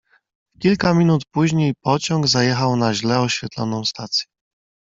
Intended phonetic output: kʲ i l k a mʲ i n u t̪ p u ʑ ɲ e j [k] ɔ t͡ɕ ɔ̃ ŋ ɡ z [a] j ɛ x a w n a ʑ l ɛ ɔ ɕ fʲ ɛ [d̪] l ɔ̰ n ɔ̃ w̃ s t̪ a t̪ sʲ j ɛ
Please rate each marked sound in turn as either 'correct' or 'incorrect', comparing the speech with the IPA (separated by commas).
incorrect, correct, incorrect